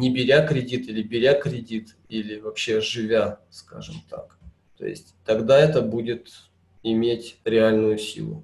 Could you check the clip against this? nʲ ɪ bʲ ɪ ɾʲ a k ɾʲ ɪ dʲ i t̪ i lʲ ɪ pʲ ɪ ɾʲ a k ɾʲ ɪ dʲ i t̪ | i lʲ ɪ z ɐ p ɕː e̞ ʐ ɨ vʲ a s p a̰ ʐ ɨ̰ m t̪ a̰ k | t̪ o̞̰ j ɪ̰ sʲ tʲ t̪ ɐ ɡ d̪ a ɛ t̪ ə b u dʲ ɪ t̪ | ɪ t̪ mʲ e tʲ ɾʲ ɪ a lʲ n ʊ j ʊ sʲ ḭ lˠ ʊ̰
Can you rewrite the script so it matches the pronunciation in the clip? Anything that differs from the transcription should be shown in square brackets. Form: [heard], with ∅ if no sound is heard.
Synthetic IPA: nʲ ɪ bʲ ɪ ɾʲ a k ɾʲ ɪ dʲ i t̪ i lʲ ɪ [bʲ] ɪ ɾʲ a k ɾʲ ɪ dʲ i t̪ | i lʲ ɪ [v] ɐ p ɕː e̞ ʐ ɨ vʲ a s [k] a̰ ʐ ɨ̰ m t̪ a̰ k | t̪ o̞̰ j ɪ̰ sʲ tʲ t̪ ɐ ɡ d̪ a ɛ t̪ ə b u dʲ ɪ t̪ | ɪ [∅] mʲ e tʲ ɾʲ ɪ a lʲ n ʊ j ʊ sʲ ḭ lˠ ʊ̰